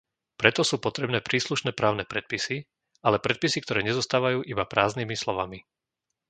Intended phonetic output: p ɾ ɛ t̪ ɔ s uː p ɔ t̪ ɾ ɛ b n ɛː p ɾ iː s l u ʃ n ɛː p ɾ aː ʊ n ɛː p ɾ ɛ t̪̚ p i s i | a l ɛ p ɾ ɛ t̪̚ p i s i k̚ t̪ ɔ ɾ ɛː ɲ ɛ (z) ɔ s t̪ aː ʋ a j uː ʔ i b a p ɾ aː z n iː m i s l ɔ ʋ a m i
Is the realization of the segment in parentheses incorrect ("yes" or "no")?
no